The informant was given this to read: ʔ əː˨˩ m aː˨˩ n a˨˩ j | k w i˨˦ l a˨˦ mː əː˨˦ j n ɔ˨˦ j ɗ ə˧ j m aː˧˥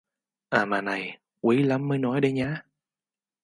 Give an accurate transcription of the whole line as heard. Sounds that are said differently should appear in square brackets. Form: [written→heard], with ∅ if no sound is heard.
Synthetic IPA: ʔ [əː˨˩→aː˨˩] m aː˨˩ n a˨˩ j | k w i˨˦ l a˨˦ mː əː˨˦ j n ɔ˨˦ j ɗ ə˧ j [m→ɲ] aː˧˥

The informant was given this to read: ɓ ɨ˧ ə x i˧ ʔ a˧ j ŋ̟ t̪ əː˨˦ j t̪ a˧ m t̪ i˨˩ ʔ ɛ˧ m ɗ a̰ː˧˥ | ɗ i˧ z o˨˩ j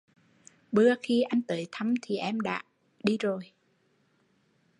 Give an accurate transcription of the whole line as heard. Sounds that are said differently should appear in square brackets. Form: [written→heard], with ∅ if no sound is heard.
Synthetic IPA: ɓ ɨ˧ ə x i˧ ʔ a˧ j ŋ̟ t̪ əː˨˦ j [t̪→t̪ʰ] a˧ m [t̪→t̪ʰ] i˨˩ ʔ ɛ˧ m ɗ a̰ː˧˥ | ɗ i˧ z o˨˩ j

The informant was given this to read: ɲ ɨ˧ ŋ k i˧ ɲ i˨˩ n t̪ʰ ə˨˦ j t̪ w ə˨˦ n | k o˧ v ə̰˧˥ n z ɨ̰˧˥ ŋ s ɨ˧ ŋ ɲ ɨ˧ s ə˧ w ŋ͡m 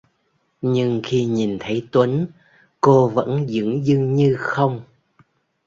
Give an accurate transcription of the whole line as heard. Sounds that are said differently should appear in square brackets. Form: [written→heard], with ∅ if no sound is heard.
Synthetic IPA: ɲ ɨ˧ ŋ [k→x] i˧ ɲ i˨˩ n t̪ʰ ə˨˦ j t̪ w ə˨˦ n | k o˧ v ə̰˧˥ n z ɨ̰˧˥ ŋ [s→z] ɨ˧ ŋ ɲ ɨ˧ [s→x] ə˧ w ŋ͡m

